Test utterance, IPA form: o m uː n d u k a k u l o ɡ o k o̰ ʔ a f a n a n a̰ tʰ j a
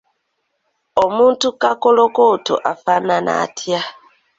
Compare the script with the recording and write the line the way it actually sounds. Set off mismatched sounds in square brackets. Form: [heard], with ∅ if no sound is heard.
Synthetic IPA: o m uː n [t] u k a k [o] l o [k] o [t] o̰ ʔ a f a n a n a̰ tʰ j a